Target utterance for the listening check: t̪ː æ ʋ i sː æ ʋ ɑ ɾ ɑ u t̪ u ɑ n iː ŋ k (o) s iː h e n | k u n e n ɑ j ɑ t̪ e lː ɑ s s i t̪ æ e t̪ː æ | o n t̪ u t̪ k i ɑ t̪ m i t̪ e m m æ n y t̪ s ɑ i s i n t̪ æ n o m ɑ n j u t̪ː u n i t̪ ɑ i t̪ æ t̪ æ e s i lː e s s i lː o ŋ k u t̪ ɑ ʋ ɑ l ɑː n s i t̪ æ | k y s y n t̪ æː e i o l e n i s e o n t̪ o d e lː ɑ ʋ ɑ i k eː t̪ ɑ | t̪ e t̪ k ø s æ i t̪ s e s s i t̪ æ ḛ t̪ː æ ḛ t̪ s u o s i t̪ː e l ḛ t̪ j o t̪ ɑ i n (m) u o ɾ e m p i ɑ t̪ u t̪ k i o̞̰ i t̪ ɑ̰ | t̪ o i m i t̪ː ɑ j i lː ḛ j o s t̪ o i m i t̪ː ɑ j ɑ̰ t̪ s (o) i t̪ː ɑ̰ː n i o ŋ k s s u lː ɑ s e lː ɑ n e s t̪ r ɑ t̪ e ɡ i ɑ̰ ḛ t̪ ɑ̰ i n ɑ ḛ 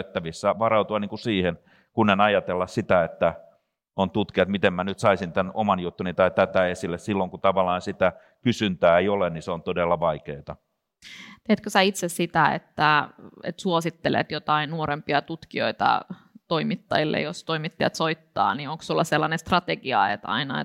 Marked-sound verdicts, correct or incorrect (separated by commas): incorrect, incorrect, correct